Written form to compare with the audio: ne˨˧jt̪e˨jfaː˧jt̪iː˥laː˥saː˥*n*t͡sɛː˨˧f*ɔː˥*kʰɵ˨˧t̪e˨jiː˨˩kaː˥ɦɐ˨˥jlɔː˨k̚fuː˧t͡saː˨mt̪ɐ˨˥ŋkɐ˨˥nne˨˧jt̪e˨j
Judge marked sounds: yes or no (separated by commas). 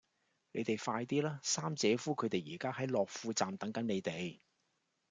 no, no